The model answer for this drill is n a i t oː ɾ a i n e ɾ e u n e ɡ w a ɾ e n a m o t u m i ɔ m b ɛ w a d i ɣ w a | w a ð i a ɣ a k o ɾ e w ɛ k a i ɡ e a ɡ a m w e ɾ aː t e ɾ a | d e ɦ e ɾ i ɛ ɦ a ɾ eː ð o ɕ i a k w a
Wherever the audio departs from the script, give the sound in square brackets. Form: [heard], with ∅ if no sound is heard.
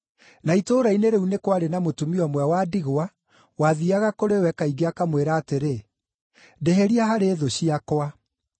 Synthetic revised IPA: n a i t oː ɾ a i n e ɾ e u n e [k] w a ɾ e n a m o t u m i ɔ m [w] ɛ w a d i ɣ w a | w a ð i a ɣ a k o ɾ e w ɛ k a i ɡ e a [k] a m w e ɾ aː t e ɾ [e] | d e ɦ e ɾ i [a] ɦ a ɾ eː ð o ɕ i a k w a